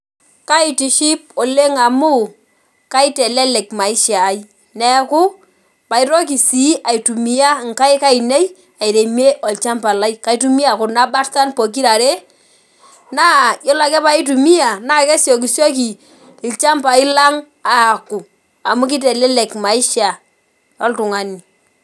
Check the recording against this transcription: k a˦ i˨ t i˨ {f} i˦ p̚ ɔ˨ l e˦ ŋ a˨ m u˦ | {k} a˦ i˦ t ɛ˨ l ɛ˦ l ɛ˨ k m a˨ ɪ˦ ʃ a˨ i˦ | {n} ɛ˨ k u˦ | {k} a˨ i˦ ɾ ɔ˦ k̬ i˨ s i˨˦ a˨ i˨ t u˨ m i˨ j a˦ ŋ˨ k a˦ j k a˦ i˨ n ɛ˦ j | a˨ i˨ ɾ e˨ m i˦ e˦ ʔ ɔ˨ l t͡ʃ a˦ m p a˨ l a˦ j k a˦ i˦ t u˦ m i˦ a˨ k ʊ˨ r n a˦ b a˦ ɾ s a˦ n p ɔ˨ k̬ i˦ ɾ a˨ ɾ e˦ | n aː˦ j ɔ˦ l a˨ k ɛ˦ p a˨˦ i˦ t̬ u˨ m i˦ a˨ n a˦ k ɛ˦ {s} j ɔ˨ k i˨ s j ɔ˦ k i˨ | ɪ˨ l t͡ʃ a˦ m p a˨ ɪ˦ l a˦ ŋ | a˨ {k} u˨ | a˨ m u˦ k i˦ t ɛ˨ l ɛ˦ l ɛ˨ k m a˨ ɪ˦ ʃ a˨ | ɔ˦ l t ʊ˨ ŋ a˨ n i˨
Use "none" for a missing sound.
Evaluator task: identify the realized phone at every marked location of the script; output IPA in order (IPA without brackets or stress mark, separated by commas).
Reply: ʃ, k, n, p, s, k